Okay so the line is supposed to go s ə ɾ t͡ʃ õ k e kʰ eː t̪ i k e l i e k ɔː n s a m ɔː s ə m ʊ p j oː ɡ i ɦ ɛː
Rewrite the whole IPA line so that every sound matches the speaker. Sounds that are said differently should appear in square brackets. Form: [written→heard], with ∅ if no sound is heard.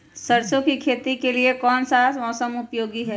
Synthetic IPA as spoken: s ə ɾ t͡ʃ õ k [e→i] kʰ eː t̪ i k e l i e k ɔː n s a m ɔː s ə m ʊ p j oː ɡ i ɦ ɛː